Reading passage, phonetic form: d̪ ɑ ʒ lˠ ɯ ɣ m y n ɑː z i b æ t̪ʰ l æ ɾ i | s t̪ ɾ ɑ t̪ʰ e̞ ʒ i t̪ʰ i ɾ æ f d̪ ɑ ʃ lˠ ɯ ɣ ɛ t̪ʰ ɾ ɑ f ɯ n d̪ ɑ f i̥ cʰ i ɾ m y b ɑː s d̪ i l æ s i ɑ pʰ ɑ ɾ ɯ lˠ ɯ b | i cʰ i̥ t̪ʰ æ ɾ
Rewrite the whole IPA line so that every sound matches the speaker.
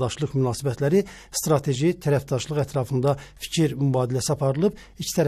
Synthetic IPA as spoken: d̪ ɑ ʃ lˠ ɯ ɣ m y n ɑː s i b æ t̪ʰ l æ ɾ i | s t̪ ɾ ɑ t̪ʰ e̞ ʒ i t̪ʰ æ ɾ æ f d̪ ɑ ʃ lˠ ɯ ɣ æ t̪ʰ ɾ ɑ f ɯ n d̪ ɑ f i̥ cʰ i ɾ m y b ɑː d̪ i l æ s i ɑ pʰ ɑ ɾ ɯ lˠ ɯ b | i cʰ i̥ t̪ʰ æ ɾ